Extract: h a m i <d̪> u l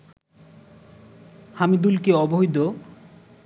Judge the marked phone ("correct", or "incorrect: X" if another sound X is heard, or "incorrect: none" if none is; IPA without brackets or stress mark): correct